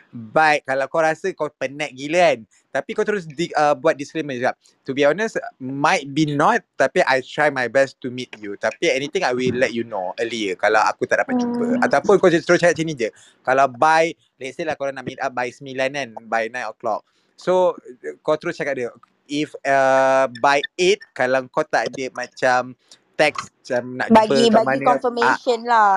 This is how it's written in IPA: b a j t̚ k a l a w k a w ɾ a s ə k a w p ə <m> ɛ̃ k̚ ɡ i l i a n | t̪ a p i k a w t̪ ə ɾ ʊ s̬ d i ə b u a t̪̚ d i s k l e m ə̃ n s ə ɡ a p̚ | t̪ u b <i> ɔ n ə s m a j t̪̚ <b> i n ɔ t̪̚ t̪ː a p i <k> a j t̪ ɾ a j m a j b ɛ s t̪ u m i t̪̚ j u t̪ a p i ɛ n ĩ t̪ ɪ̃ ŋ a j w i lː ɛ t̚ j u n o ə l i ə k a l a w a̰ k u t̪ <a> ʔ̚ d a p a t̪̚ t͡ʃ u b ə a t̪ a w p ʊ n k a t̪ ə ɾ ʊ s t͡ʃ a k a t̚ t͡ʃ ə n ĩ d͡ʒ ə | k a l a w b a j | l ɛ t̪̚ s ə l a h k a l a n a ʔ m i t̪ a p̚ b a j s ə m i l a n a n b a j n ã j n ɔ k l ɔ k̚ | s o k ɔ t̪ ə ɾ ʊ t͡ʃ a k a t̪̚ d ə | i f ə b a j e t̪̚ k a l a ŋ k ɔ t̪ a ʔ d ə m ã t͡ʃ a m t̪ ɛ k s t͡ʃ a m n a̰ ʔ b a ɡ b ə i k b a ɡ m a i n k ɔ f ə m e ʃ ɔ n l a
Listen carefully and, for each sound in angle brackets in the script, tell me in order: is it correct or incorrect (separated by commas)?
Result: incorrect, correct, correct, incorrect, correct